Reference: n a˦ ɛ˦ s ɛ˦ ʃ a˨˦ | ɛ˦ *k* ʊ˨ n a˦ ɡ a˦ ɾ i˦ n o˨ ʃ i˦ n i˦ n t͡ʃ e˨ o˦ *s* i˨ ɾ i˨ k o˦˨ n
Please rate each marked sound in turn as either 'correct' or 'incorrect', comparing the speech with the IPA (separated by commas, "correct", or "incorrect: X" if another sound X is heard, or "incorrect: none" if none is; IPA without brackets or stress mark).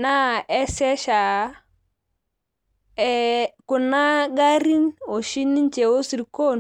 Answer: correct, correct